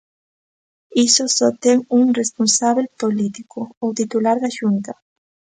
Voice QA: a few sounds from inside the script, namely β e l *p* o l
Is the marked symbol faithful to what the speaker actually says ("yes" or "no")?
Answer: yes